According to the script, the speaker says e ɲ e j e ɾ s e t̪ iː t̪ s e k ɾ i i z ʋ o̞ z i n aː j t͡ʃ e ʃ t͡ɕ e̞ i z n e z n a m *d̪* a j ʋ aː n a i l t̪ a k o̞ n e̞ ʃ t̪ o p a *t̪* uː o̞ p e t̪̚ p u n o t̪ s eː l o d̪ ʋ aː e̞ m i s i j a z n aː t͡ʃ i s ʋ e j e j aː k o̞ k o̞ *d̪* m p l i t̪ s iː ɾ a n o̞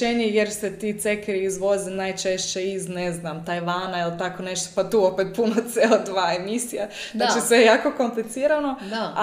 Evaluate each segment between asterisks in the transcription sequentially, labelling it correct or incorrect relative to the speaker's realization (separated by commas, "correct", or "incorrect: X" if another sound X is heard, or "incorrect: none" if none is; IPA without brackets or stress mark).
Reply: incorrect: t̪, correct, incorrect: none